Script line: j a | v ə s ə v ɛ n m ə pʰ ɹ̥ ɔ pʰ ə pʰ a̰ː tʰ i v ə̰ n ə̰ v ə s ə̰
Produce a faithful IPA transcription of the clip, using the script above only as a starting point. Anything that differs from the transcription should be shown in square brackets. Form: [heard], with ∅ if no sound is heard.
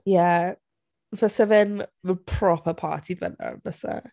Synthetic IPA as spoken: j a | v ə s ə v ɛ n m ə pʰ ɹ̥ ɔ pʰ ə pʰ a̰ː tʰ i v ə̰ n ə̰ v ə s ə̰